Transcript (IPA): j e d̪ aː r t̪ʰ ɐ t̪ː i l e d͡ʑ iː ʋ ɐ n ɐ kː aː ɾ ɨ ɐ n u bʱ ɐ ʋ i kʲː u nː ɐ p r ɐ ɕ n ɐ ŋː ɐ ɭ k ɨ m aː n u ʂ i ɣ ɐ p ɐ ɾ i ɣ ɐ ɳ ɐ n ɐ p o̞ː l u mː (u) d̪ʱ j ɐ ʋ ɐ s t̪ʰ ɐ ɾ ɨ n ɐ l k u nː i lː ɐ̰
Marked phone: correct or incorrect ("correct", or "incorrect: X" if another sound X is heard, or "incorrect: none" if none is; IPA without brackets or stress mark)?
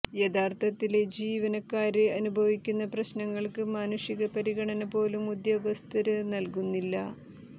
correct